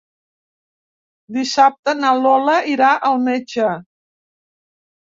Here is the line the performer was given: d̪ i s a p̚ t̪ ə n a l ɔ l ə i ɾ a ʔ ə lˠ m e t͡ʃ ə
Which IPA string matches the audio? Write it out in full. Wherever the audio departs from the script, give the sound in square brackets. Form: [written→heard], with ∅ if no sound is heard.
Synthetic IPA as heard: d̪ i s a p̚ t̪ ə n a l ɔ l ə i ɾ a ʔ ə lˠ m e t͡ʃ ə